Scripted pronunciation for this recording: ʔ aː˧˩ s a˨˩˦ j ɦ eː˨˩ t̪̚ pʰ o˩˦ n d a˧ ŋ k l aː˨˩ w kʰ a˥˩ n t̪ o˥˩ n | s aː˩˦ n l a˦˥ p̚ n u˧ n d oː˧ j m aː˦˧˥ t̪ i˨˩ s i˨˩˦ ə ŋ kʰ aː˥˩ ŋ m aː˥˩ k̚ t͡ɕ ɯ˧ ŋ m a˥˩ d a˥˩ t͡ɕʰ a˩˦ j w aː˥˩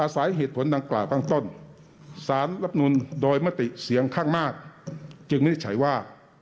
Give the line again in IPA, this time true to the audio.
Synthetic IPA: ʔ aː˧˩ s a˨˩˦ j ɦ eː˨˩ t̪̚ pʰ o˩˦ n d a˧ ŋ k l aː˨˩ w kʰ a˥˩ ŋ t̪ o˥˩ n | s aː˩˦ n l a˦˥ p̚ n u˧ n d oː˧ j m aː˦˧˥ t̪ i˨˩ s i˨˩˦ ə ŋ kʰ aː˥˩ ŋ m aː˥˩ k̚ t͡ɕ ɯ˧ ŋ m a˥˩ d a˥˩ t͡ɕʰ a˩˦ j w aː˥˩

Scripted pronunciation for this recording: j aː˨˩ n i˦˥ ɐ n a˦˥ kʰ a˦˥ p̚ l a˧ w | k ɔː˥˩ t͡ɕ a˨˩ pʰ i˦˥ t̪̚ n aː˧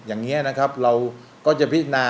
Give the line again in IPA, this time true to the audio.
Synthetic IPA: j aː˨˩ ŋ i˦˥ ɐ n a˦˥ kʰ a˦˥ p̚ ɾ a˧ w | k ɔː˥˩ t͡ɕ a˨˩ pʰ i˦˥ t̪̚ n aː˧

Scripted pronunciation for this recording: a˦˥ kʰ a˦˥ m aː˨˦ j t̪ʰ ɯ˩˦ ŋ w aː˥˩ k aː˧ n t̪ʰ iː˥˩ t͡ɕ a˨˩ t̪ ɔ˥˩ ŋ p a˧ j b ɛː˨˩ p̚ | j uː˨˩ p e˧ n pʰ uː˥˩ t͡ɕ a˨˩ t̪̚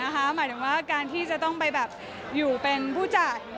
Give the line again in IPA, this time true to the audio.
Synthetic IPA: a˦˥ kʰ a˦˥ m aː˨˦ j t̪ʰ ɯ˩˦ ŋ w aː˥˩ k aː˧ n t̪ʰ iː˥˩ t͡ɕ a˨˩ t̪ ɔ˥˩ ŋ p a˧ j b ɛː˨˩ p̚ | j uː˨˩ p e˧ n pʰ uː˥˩ t͡ɕ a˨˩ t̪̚

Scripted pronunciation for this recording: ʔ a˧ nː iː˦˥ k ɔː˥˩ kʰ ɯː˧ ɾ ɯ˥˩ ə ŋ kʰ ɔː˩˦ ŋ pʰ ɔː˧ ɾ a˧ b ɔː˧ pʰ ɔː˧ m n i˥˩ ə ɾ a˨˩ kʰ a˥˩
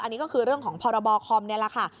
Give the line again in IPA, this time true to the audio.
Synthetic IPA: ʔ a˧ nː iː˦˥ k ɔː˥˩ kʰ ɯː˧ ɾ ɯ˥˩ ə ŋ kʰ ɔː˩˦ ŋ pʰ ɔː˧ ɾ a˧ b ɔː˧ kʰ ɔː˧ m n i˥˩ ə l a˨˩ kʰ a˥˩

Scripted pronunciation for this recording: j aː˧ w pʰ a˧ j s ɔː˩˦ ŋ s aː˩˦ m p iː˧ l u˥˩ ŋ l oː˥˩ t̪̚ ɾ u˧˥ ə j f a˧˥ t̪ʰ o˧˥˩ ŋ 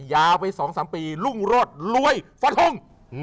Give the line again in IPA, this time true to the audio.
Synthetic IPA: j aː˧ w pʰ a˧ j s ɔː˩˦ ŋ s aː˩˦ m p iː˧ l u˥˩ ŋ ɾ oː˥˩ t̪̚ l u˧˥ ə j f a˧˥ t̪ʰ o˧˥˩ ŋ

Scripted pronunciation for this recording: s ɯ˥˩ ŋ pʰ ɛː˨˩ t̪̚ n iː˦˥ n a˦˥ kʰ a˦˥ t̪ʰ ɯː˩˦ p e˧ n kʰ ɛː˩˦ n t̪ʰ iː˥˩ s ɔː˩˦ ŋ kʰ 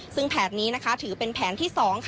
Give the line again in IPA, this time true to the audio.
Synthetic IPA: s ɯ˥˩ ŋ pʰ ɛː˨˩ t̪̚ n iː˦˥ n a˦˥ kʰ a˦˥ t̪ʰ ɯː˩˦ p e˧ n pʰ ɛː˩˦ n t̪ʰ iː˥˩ s ɔː˩˦ ŋ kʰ

